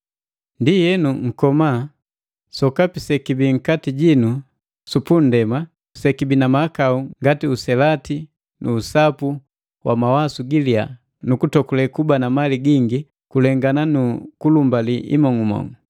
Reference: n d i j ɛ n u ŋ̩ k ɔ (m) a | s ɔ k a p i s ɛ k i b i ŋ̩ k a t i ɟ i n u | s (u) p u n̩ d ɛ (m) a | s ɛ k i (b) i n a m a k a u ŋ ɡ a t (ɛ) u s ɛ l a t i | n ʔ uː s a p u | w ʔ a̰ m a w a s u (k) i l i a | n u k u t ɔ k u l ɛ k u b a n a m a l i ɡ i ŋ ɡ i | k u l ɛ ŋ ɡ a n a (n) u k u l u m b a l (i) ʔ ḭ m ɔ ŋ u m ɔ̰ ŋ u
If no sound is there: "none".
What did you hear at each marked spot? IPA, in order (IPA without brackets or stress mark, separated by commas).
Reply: m, u, m, b, i, ɡ, n, i